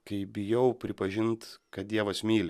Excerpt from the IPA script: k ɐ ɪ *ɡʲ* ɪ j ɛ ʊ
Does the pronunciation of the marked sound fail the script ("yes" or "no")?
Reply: yes